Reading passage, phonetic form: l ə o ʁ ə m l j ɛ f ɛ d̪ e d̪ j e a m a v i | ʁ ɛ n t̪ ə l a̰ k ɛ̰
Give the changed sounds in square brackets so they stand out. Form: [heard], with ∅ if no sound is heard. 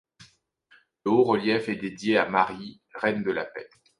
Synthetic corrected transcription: l ə o ʁ ə [∅] l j ɛ f ɛ d̪ e d̪ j e a m a [ʁ] i | ʁ ɛ n [d̪] ə l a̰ [p] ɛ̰